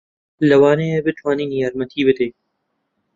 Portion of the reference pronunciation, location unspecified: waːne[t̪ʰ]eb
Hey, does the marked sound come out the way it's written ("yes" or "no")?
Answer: no